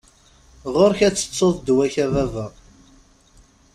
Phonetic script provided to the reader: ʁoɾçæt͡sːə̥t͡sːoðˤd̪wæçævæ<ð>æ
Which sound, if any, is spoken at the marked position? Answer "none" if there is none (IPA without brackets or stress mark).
v